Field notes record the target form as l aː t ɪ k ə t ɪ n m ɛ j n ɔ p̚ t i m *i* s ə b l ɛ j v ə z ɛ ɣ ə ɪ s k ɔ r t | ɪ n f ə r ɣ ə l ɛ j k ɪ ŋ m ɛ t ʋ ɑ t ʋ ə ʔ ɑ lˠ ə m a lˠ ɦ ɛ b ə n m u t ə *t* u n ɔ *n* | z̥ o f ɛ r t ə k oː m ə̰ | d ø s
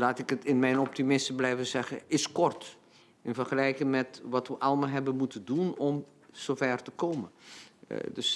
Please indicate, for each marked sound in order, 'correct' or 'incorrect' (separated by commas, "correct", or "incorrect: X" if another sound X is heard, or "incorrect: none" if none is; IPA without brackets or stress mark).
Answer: incorrect: ɪ, incorrect: d, incorrect: m